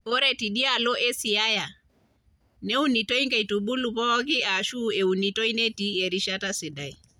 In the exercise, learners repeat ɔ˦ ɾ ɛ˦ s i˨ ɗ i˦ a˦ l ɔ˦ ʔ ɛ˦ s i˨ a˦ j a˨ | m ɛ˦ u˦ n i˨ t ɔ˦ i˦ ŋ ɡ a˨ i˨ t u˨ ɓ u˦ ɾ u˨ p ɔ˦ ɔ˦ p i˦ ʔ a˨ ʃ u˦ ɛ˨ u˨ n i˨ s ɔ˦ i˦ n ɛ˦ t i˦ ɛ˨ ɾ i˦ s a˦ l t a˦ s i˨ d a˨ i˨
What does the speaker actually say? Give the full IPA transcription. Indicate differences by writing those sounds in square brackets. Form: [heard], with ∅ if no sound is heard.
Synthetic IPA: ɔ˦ ɾ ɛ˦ [t] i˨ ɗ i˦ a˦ l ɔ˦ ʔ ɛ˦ s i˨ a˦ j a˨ | [n] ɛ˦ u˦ n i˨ t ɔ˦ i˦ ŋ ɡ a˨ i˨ t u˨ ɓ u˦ [l] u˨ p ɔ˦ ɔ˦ [k] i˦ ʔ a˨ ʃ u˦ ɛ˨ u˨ n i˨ [t] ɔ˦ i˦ n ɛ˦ t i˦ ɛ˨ ɾ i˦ [ʃ] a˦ [∅] t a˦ s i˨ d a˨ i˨